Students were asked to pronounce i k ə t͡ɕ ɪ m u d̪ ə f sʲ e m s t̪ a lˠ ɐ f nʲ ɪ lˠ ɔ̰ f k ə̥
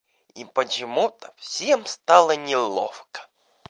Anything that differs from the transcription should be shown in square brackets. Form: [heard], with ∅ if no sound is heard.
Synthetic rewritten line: i [p] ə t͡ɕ ɪ m u [t̪] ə f sʲ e m s t̪ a lˠ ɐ [∅] nʲ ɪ lˠ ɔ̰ f k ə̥